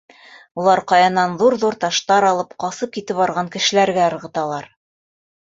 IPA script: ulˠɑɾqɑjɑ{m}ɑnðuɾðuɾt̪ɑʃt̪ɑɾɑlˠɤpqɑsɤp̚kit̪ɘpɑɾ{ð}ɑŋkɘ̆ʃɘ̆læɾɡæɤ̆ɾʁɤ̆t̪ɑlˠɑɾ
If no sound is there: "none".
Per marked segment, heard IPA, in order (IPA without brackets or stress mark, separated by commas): n, ʁ